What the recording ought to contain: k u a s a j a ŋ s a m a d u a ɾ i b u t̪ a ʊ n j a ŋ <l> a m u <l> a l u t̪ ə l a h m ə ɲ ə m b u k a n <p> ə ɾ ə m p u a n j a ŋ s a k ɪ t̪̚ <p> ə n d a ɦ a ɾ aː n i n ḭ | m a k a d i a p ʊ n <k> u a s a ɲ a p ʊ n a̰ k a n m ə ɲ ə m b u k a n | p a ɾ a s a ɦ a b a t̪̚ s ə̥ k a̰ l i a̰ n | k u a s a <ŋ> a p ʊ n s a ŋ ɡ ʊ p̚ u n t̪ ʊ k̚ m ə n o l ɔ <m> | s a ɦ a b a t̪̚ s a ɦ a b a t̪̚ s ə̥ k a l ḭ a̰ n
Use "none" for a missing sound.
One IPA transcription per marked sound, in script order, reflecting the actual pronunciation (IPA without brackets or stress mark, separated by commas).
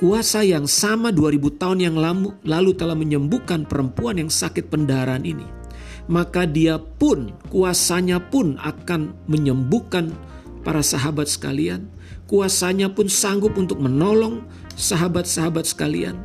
l, l, p, p, k, ɲ, ŋ